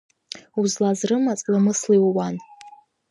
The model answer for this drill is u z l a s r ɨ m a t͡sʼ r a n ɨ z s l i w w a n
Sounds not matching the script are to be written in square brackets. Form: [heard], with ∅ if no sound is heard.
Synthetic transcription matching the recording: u z l a [z] r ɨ m a t͡sʼ [l] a [m] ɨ [∅] s l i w w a n